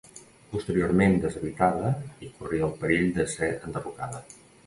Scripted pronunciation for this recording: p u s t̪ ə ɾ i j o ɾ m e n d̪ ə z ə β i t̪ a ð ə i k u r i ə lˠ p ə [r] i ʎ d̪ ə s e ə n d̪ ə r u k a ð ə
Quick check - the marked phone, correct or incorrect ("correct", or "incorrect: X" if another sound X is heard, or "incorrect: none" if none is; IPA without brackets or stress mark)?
incorrect: ɾ